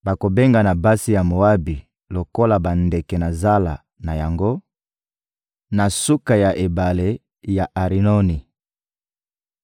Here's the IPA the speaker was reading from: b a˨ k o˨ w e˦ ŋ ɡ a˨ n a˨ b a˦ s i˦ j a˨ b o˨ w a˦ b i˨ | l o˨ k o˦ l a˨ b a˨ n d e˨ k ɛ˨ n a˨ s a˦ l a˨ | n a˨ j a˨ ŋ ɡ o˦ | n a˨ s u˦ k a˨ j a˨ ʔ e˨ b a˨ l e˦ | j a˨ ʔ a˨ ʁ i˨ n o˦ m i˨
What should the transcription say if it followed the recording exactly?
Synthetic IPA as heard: b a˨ k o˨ b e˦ ŋ ɡ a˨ n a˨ b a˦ s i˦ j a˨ m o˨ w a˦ b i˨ | l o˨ k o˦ l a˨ b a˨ n d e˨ k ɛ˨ n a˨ z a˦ l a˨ | n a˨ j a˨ ŋ ɡ o˦ | n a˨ s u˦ k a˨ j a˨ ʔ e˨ b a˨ l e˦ | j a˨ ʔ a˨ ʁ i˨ n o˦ n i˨

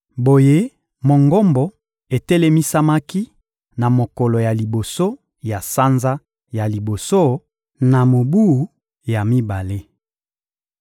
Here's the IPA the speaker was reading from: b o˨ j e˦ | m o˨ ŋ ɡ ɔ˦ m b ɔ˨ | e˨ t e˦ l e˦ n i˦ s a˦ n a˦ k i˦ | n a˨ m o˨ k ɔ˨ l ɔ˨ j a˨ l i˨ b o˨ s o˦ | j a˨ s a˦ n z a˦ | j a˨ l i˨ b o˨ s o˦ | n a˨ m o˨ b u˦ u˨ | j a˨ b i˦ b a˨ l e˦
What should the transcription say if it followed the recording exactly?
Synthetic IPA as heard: b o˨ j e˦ | m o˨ ŋ ɡ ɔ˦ m b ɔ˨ | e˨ t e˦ l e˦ m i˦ s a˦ m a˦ k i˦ | n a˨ m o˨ k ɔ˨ l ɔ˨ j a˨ l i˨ b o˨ s o˦ | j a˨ s a˦ n z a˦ | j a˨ l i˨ b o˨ s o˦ | n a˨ m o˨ b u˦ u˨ | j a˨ m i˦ b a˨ l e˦

